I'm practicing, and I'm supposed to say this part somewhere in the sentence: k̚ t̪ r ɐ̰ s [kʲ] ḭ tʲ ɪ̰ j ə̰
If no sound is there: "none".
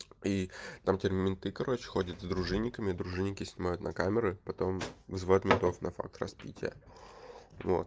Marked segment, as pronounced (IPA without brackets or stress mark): pʲ